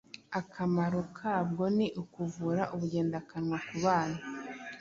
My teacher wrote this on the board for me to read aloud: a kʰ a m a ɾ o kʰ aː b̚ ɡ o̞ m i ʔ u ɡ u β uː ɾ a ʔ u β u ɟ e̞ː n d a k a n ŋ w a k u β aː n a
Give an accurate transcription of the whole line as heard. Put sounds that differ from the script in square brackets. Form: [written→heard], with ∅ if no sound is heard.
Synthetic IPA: a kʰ a m a ɾ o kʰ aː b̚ ɡ o̞ [m→n] i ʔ u [ɡ→k] u [β→v] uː ɾ a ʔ u β u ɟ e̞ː n d a k a n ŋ w a k u β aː n a